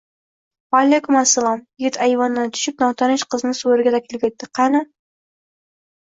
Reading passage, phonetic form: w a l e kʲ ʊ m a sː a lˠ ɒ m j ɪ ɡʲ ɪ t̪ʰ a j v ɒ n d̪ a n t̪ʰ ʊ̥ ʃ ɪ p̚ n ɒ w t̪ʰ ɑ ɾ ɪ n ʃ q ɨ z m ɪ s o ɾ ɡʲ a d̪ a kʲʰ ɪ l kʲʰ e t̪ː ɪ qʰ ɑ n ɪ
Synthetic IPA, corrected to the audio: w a l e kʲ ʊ m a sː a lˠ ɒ m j ɪ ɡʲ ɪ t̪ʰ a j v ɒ n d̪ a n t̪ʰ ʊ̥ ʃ ɪ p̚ n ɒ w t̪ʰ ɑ ɾ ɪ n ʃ q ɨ z n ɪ s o ɾ ɡʲ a d̪ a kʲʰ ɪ l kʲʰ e t̪ː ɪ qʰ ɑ n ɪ